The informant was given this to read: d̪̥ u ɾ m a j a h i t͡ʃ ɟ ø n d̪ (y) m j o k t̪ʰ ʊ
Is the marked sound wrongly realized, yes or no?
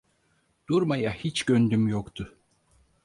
no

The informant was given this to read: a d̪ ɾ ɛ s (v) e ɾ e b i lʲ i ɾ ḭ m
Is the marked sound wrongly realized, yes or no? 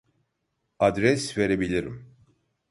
no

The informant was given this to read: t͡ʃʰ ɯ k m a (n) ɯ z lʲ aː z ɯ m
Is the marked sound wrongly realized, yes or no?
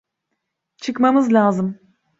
yes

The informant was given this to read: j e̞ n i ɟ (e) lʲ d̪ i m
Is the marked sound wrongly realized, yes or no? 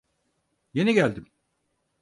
yes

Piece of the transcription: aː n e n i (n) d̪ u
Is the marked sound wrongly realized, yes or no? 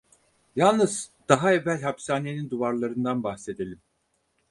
no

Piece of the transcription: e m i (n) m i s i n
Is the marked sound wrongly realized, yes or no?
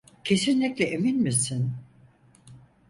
no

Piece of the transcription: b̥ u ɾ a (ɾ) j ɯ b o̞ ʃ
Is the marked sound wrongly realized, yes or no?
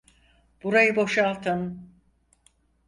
yes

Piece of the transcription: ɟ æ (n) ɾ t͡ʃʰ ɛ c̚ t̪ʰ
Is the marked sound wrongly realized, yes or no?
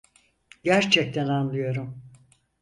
yes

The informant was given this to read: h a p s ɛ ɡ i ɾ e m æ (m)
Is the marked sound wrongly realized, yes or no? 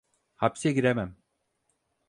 no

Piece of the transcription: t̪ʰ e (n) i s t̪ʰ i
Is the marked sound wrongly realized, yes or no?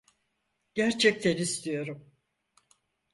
no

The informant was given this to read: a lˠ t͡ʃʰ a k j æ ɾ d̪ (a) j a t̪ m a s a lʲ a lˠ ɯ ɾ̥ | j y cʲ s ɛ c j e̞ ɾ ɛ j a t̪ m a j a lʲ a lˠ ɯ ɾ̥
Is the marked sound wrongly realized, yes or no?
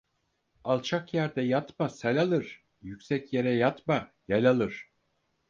yes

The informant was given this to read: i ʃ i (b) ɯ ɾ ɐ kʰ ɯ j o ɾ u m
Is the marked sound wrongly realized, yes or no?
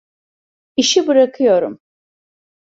no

